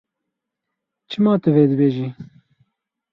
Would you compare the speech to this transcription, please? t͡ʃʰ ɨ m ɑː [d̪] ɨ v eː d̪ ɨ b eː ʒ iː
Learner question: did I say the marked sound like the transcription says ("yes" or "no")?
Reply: no